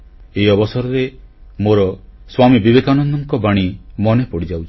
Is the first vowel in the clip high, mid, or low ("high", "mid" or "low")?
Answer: mid